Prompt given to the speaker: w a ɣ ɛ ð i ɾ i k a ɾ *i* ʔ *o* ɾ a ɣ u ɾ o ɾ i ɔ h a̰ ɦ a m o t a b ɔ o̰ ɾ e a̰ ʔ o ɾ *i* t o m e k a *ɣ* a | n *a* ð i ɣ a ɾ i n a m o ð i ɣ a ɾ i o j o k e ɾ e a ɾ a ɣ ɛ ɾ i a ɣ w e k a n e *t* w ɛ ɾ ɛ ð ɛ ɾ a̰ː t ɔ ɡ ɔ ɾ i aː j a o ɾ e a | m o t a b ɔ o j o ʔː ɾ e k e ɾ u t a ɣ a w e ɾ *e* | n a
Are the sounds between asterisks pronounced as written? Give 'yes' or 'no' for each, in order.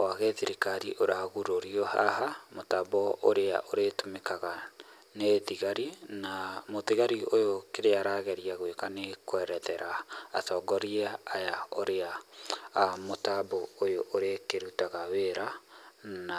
yes, yes, no, yes, no, no, no

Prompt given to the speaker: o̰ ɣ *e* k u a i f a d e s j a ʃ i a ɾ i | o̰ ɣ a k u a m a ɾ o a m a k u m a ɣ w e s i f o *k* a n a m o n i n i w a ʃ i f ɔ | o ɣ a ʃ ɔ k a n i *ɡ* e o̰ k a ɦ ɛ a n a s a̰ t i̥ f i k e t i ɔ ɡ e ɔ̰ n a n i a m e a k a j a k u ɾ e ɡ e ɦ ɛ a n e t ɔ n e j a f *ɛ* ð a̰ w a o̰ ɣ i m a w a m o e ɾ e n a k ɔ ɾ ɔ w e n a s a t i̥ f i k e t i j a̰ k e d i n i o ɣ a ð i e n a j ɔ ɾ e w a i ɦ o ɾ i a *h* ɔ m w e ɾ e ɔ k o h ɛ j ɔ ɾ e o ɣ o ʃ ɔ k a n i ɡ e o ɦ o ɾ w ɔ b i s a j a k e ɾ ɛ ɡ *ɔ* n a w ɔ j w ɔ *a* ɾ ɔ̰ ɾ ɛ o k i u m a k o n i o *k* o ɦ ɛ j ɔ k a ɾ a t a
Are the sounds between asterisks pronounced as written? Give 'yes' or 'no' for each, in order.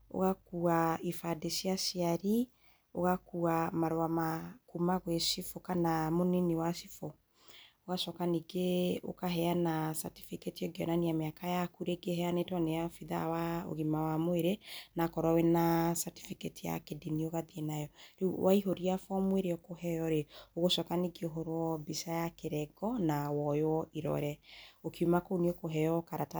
no, yes, yes, no, no, yes, no, yes

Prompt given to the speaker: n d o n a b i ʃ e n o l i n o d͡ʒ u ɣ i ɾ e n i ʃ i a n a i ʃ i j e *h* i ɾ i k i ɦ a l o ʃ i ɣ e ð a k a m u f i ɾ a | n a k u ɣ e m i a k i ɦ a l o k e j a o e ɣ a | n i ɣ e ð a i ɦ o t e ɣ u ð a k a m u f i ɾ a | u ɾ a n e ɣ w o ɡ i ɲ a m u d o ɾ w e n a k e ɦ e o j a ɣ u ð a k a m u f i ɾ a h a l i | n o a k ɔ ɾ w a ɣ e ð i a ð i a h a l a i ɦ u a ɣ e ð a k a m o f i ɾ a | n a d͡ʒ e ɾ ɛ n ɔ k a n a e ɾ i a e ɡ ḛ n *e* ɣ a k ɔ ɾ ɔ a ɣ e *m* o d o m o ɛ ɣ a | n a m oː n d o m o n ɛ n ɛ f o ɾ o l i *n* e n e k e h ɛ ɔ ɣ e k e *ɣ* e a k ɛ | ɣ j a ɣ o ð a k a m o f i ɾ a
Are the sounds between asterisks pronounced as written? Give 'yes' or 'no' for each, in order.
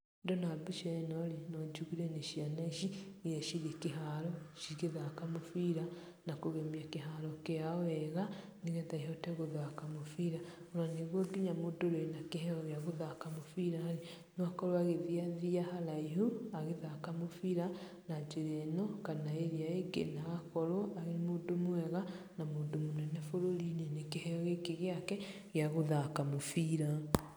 no, no, yes, yes, yes

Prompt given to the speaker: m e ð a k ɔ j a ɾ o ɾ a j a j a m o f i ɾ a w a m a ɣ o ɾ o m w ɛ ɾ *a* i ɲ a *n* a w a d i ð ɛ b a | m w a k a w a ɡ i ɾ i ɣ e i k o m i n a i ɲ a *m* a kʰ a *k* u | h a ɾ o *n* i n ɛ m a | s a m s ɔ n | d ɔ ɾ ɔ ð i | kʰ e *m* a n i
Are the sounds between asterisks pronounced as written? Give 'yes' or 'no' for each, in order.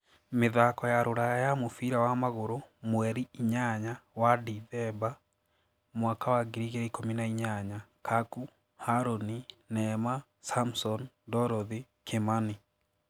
no, no, no, yes, yes, yes

